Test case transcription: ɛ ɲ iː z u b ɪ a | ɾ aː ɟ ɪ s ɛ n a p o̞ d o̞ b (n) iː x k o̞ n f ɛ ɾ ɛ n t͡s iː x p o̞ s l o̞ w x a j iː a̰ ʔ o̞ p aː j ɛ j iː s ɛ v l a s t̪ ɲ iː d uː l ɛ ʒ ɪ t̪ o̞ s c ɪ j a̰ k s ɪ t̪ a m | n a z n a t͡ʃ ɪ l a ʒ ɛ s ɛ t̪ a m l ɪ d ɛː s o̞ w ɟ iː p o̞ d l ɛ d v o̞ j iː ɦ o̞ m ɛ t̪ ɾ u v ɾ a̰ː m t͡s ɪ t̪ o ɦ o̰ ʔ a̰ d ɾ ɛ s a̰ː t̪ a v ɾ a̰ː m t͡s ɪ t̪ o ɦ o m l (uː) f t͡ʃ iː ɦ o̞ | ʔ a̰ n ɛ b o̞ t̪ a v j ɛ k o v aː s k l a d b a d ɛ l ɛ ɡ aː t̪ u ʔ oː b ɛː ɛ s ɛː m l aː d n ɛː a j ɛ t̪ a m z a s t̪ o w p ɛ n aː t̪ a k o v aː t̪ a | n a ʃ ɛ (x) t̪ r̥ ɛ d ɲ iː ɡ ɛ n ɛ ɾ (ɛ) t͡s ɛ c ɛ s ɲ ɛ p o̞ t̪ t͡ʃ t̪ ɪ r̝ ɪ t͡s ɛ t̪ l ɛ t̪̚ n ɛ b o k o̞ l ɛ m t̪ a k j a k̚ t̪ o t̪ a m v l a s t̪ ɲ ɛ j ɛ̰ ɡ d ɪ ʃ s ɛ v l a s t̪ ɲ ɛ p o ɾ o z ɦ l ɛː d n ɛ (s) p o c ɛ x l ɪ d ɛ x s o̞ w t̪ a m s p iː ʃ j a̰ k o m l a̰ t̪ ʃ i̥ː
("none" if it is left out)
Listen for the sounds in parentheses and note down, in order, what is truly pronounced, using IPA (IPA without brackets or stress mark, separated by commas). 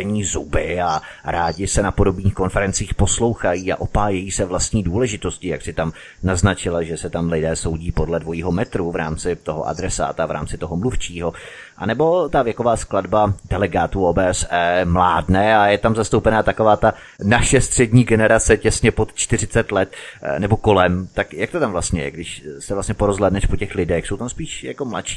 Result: n, u, s, a, ʃ